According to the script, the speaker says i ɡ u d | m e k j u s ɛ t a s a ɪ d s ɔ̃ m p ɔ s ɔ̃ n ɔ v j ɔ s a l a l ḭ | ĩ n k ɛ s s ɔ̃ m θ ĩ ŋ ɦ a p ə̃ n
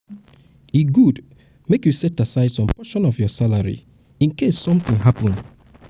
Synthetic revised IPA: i ɡ u d | m e k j u s ɛ t a s a ɪ d s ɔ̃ m p ɔ ʃ ɔ̃ n ɔ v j ɔ s a l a ɹ ḭ | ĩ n k e s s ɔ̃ m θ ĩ ŋ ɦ a p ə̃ n